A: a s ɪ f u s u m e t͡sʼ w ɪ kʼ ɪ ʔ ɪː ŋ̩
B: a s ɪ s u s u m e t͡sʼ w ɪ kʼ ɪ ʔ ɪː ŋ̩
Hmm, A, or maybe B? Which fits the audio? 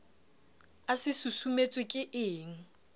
B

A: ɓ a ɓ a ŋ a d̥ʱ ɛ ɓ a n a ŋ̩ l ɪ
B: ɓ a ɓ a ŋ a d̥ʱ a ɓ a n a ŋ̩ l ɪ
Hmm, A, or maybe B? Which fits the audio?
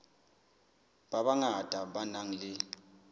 B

